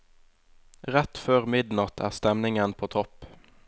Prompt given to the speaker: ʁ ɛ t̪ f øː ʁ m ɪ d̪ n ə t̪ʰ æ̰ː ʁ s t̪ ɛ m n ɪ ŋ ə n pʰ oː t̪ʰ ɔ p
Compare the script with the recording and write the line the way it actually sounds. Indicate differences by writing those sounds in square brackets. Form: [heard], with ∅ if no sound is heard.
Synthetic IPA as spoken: ʁ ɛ t̪ f øː ʁ m ɪ d̪ n [ɑ] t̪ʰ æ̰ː ʁ s t̪ ɛ m n ɪ ŋ ə n pʰ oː t̪ʰ ɔ p